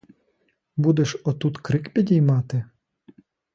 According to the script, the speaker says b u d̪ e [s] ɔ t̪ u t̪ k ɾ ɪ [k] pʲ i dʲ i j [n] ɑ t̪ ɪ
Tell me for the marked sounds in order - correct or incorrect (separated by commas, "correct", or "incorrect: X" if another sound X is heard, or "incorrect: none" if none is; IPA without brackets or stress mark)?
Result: incorrect: ʃ, correct, incorrect: m